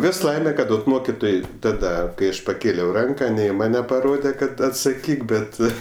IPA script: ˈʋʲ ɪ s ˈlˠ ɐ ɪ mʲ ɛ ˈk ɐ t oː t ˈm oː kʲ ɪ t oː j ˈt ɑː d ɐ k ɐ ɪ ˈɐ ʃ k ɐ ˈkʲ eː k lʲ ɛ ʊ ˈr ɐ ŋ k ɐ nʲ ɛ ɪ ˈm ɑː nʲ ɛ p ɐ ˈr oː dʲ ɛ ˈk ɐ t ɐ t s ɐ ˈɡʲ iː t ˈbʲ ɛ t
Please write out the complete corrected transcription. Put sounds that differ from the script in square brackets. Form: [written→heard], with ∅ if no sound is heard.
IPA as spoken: ˈʋʲ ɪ s ˈlˠ ɐ ɪ mʲ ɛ ˈk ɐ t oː t ˈm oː kʲ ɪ t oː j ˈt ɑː d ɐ k ɐ ɪ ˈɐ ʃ [k→p] ɐ ˈkʲ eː [k→∅] lʲ ɛ ʊ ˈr ɐ ŋ k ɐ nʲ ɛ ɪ ˈm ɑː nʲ ɛ p ɐ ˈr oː dʲ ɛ ˈk ɐ t ɐ t s ɐ [ˈɡʲ→ˈkʲ] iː [t→k] ˈbʲ ɛ t